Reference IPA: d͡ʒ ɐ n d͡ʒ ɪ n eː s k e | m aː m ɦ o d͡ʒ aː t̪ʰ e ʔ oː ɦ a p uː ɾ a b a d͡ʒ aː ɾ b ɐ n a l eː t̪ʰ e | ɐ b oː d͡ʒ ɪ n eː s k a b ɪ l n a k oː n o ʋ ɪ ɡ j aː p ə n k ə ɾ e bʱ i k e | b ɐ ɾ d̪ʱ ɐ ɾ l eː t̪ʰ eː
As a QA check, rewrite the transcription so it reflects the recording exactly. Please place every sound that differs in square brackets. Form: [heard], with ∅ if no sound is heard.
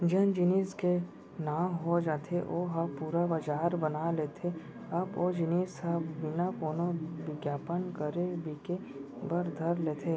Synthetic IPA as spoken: d͡ʒ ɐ n d͡ʒ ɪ n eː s k e | [n] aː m ɦ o d͡ʒ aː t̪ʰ e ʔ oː ɦ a p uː ɾ a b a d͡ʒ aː ɾ b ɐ n a l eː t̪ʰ e | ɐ b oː d͡ʒ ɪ n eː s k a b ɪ [∅] n a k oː n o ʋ ɪ ɡ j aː p ə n k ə ɾ e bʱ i k e | b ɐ ɾ d̪ʱ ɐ ɾ l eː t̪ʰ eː